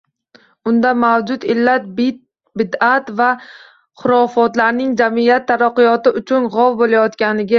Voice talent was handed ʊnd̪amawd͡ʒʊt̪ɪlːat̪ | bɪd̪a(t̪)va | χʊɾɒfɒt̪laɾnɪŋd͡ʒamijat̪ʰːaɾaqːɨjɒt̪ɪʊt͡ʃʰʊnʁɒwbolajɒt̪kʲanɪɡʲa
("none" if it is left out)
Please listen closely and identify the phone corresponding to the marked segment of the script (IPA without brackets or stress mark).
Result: t̪